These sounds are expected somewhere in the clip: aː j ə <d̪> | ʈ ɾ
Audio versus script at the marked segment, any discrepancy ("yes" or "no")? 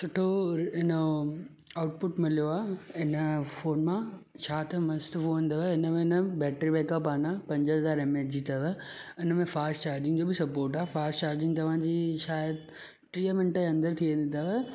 no